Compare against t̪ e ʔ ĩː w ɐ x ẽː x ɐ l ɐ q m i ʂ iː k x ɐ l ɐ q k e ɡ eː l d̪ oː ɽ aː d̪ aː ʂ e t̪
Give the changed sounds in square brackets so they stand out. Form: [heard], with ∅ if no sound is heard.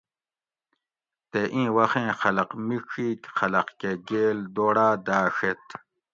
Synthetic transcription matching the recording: t̪ e ʔ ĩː w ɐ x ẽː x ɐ l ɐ q m i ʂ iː k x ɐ l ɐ q k e ɡ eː l d̪ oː ɽ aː d̪ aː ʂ e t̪